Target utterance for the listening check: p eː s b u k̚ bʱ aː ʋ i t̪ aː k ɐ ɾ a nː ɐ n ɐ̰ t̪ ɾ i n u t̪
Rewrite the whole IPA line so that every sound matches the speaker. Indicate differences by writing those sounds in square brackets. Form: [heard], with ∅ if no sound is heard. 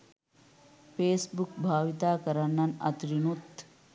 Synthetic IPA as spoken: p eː s b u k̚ bʱ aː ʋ i t̪ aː k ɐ ɾ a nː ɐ n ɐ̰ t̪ ɾ i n u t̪